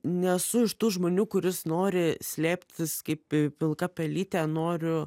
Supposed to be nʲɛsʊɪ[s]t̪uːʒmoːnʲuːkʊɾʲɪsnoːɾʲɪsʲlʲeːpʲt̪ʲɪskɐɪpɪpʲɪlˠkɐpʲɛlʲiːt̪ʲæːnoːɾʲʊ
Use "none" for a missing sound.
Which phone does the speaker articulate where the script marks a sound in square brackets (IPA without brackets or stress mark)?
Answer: ʃ